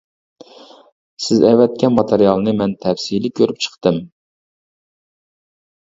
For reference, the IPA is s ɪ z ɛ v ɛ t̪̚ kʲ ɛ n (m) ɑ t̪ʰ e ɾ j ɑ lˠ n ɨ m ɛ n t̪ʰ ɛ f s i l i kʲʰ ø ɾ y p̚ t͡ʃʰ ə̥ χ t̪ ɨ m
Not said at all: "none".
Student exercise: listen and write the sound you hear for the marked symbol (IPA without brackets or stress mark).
m